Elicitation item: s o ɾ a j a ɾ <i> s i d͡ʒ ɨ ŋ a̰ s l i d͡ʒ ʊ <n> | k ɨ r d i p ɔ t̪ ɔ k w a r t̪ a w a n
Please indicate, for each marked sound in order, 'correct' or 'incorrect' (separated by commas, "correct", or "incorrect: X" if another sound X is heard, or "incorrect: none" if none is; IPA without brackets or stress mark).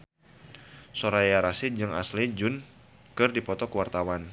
incorrect: a, correct